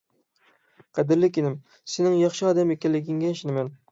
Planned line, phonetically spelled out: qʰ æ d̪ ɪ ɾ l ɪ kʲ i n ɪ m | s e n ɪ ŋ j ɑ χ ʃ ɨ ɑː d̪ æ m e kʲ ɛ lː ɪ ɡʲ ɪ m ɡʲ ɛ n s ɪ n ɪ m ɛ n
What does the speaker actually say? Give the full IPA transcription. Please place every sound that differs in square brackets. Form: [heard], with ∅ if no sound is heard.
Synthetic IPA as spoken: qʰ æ d̪ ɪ ɾ l ɪ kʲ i n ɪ m | s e n ɪ ŋ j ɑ χ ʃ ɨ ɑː d̪ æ m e kʲ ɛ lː ɪ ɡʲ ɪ [ŋ] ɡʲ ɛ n [ʃ] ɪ n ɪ m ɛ n